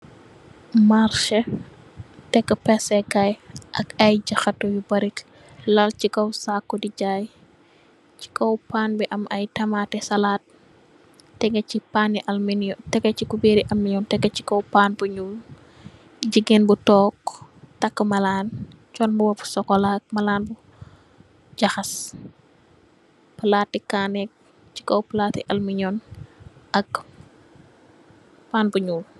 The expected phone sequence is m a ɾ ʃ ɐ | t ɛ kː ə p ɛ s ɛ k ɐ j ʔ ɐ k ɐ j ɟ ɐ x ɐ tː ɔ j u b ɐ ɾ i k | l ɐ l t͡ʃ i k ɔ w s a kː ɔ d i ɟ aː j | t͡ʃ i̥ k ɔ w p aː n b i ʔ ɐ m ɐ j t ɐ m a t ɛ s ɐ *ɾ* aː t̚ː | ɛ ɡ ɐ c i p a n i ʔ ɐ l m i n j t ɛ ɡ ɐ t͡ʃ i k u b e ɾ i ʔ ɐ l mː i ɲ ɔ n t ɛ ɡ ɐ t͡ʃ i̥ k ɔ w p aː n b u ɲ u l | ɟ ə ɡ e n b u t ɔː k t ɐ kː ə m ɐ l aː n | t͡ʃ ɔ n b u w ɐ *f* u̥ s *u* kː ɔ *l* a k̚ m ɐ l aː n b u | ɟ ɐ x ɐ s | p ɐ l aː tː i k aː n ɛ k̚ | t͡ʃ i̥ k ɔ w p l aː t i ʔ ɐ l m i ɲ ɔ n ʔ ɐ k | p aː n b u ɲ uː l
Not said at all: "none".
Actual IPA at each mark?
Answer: l, f, ɔ, l

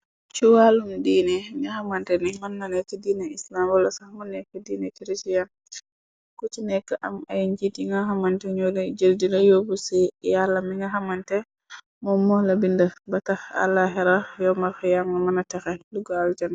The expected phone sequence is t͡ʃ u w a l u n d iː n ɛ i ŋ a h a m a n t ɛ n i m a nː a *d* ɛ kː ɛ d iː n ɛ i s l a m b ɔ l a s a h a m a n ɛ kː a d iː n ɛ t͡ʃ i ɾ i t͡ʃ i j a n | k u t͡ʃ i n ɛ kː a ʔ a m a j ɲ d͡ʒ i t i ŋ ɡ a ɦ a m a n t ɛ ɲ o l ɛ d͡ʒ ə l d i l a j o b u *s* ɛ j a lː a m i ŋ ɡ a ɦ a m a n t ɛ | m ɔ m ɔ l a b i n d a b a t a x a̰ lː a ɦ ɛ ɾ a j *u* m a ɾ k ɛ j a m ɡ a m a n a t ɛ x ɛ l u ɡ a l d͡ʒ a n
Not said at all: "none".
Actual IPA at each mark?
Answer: n, s, ɔ

